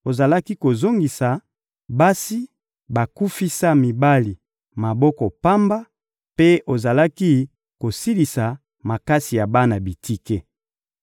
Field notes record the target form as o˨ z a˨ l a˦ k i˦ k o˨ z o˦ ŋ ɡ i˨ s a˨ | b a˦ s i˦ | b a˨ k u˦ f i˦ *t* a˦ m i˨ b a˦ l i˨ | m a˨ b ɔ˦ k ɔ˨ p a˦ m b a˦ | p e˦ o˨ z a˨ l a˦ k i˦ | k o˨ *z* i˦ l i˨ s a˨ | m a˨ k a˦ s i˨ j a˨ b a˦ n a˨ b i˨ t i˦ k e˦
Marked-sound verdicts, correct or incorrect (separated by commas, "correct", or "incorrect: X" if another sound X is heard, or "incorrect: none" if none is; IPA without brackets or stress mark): incorrect: s, incorrect: s